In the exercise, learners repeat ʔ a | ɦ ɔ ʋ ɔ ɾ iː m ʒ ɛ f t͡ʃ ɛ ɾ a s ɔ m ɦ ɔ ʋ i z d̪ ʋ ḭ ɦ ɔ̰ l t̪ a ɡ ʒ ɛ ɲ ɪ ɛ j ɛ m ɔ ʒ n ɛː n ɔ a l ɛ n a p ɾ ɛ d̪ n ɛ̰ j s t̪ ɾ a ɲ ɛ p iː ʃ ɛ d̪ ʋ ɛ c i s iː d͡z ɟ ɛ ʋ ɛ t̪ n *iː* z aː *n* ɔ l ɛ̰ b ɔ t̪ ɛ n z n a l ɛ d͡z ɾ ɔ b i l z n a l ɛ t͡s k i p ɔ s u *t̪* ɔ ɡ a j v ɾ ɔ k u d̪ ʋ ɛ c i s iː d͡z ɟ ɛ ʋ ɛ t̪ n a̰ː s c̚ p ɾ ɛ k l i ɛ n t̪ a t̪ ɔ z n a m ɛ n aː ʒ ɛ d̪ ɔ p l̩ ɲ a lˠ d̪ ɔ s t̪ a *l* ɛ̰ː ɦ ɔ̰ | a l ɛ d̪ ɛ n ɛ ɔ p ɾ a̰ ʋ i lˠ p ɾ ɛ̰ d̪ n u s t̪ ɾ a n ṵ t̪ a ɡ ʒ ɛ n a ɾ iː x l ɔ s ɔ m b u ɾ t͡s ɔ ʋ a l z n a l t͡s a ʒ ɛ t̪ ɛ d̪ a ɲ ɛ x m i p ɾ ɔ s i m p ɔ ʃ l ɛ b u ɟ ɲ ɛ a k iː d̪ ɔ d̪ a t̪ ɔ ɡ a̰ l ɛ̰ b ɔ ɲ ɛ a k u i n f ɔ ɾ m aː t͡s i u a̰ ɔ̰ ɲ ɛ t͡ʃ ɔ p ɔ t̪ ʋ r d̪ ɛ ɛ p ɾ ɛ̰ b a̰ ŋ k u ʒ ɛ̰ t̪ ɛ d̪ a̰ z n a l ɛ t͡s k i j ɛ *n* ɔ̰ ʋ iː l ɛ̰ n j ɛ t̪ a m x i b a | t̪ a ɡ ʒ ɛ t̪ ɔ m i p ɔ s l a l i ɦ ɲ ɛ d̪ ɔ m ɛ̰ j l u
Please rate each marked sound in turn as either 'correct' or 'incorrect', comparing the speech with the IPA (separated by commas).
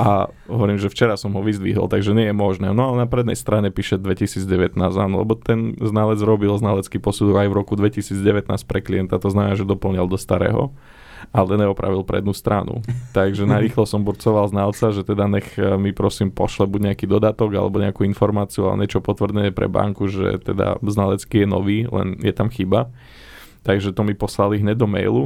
incorrect, correct, incorrect, incorrect, correct